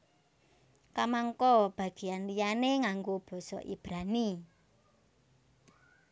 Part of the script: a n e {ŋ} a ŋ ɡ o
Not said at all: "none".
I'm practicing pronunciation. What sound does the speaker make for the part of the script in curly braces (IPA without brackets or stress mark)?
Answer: ŋ